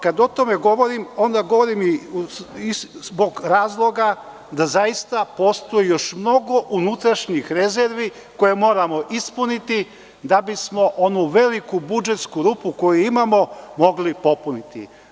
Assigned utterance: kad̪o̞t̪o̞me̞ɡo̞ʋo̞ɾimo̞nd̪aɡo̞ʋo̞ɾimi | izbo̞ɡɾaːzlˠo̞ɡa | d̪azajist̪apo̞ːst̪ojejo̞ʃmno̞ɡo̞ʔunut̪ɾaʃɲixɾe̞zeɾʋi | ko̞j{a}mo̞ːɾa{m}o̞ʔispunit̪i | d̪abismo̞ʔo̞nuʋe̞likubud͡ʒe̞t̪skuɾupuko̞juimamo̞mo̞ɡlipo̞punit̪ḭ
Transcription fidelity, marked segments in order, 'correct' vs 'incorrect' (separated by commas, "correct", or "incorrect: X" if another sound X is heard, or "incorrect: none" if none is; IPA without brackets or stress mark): incorrect: e, correct